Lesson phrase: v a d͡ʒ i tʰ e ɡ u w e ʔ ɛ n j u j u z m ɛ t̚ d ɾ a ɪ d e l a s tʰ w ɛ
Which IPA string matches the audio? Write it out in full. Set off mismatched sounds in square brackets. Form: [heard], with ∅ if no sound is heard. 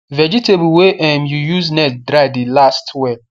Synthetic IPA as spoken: v [ɛ] d͡ʒ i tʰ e [b] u w e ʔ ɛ [m] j u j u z [n] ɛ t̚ d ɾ a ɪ d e l a s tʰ w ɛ

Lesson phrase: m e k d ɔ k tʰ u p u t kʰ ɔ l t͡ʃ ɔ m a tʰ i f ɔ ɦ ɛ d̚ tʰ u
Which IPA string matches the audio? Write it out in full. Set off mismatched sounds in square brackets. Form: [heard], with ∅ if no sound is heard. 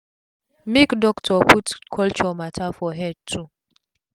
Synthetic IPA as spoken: m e k d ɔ k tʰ [ɔ] p u t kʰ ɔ l t͡ʃ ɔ m a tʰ [a] f ɔ ɦ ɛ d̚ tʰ u

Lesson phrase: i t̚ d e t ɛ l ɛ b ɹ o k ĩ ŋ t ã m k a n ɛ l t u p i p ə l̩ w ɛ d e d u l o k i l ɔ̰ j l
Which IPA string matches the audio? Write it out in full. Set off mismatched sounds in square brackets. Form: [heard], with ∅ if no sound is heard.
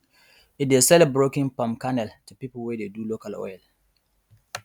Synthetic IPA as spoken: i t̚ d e [s] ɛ l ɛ b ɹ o k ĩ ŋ [p] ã m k a n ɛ l t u p i p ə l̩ w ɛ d e d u l o k [a] l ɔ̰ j l

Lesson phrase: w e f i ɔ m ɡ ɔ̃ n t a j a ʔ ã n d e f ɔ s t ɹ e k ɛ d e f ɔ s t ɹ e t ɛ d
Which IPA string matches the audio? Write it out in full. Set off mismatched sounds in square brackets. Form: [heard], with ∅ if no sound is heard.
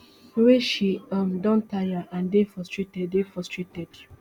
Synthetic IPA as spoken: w e [ʃ] i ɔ m [d] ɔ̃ n t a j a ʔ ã n d e f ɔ s t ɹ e [t] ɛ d e f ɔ s t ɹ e t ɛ d

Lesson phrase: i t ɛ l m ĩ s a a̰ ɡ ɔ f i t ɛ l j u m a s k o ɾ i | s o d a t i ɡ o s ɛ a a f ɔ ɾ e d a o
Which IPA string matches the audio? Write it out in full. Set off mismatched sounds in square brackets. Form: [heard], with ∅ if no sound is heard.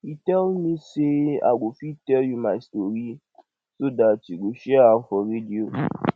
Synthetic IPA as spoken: i t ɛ l m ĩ s [e] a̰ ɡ [o] f i t ɛ l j u m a s [t] o ɾ i | s o d a t i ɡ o [ʃ] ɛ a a f ɔ ɾ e d [i] o

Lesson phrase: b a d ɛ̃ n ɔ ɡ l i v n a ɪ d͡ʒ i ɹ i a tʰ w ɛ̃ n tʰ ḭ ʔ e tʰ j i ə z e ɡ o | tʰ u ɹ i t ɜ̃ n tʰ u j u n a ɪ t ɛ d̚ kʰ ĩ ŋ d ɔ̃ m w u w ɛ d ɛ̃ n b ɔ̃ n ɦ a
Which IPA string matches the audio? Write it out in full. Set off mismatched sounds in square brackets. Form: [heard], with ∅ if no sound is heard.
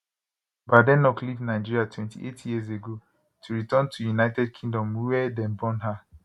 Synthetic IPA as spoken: b a d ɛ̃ n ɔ [k] l i v n a ɪ d͡ʒ i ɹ i a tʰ w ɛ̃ n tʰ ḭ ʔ e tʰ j i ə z e ɡ o | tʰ u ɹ i t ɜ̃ n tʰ u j u n a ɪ t ɛ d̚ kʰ ĩ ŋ d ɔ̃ m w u w ɛ d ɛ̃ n b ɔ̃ n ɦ a

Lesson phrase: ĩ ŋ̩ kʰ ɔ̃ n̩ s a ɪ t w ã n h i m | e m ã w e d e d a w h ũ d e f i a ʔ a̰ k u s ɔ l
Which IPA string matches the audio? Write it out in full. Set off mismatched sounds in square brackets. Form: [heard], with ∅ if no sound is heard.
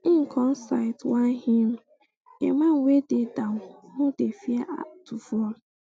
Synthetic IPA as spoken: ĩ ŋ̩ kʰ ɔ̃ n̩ s a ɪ t w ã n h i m | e m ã w e d e d a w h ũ d e f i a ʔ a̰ [t] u [f] ɔ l

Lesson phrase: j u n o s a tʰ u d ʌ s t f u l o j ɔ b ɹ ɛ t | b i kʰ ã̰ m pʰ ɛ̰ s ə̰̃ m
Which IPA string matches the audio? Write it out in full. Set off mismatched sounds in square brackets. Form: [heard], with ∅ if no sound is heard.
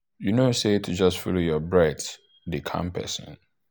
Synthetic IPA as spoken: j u n o s [e] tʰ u [d͡ʒ] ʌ s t f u l o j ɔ b ɹ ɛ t | [d] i kʰ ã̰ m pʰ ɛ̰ s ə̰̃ [n]

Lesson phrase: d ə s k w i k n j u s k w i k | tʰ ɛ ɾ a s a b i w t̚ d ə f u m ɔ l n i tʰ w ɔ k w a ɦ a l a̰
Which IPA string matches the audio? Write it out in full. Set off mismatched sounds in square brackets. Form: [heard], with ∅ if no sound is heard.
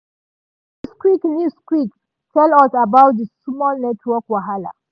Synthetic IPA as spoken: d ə s k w i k n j u s k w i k | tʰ ɛ [l] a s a b [a] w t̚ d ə [s] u m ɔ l n [ɛ] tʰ w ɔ k w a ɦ a l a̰

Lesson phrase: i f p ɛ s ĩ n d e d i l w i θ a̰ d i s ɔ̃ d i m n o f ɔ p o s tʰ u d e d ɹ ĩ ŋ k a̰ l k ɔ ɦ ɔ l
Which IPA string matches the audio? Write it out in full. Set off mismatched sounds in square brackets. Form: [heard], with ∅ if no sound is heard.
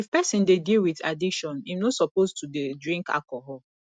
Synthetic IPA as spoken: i f p ɛ s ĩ n d e d i l w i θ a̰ d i [ʃ] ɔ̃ [n] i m n o [s] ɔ p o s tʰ u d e d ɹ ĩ ŋ k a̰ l k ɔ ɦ ɔ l

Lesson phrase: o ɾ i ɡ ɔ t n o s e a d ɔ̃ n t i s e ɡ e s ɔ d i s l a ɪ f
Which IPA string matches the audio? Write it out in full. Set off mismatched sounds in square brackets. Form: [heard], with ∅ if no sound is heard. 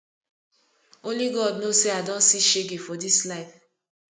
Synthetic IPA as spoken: o [l] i ɡ ɔ [d] n o s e a d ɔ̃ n [s] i [ʃ] e ɡ e [f] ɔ d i s l a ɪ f

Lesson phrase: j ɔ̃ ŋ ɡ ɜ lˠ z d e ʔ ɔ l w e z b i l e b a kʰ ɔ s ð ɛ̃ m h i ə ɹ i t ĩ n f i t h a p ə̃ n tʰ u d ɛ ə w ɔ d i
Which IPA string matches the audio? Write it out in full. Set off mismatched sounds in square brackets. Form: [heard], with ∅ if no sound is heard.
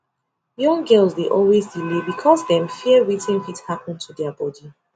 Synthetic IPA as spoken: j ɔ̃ ŋ ɡ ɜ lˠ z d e ʔ ɔ l w e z [d] i l e b [i] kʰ ɔ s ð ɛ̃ m [f] i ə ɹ i t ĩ n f i t h a p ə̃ n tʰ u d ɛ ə [b] ɔ d i

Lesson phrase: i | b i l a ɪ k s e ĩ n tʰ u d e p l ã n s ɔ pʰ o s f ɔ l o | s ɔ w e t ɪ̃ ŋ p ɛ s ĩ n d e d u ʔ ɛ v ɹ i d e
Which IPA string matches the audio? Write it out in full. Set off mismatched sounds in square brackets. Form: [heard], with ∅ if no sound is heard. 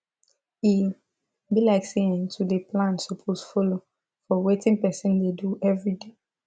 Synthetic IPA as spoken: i | b i l a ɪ k s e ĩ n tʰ u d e p l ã n s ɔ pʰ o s f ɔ l o | [f] ɔ w e t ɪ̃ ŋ p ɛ s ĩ n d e d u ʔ ɛ v ɹ i d e

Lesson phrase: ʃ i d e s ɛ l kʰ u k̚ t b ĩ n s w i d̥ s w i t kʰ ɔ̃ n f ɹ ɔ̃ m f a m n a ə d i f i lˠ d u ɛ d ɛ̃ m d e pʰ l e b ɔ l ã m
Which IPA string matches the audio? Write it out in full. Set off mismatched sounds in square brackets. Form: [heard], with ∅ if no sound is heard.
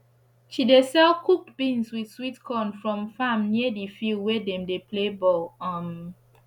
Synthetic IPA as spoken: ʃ i d e s ɛ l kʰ u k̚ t b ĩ n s w i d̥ s w i t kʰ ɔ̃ n f ɹ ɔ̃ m f a m n [i] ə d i f i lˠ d [w] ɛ d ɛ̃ m d e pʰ l e b ɔ l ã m

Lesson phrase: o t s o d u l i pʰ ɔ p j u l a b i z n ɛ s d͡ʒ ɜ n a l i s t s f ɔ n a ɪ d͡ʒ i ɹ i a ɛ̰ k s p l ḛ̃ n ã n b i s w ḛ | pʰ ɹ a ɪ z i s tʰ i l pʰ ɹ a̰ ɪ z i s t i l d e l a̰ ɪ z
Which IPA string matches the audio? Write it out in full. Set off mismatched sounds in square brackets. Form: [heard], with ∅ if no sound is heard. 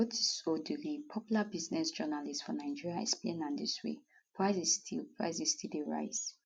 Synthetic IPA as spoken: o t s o d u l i pʰ ɔ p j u l a b i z n ɛ s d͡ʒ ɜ n a l i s t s f ɔ n a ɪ d͡ʒ i ɹ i a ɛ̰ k s p l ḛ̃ n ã n [d] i s w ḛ | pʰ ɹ a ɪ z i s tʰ i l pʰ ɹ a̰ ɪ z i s t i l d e [ɹ] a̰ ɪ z

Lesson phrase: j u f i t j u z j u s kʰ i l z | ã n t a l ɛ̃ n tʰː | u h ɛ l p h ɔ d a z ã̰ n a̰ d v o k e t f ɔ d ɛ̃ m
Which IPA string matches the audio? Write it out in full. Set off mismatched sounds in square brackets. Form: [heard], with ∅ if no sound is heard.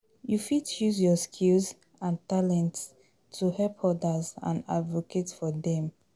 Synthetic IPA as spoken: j u f i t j u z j [ɔ] s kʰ i l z | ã n t a l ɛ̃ n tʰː | u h ɛ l p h ɔ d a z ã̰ n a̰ d v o k e t f ɔ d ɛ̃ m

